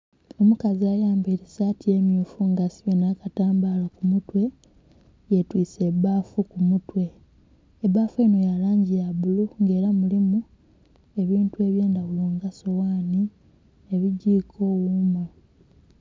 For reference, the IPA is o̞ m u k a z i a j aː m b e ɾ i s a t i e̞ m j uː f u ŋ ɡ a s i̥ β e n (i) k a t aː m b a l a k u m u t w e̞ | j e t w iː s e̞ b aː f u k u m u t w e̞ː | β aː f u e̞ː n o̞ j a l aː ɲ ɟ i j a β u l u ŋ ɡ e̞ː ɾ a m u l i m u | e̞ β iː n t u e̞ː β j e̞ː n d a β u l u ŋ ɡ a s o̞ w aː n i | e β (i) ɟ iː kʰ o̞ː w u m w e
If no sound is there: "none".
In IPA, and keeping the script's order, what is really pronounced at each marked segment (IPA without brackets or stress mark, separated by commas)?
a, i